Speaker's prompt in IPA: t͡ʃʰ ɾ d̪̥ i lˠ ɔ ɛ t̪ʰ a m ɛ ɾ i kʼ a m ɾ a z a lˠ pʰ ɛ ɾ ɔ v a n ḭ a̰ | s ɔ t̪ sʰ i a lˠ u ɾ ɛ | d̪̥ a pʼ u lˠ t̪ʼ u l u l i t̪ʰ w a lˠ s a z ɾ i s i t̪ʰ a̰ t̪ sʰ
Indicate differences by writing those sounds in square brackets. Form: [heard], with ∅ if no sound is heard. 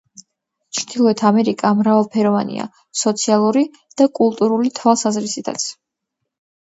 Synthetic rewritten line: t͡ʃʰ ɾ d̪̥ i lˠ ɔ ɛ t̪ʰ a m ɛ ɾ i kʼ a m ɾ a [v] a lˠ pʰ ɛ ɾ ɔ v a n ḭ a̰ | s ɔ t̪ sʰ i a lˠ u ɾ [i] | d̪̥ a [kʼ] u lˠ t̪ʼ u [ɾ] u l i t̪ʰ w a lˠ s a z ɾ i s i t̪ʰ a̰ t̪ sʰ